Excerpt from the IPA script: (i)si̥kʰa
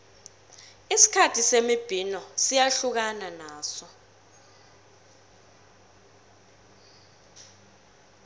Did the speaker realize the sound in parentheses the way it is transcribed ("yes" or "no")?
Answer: yes